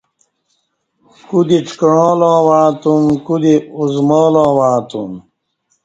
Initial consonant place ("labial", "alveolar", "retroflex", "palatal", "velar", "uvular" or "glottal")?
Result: velar